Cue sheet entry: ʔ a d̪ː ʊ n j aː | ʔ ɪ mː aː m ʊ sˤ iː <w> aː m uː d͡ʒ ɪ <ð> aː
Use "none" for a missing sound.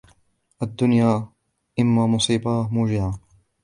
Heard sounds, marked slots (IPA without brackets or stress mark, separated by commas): b, ʕ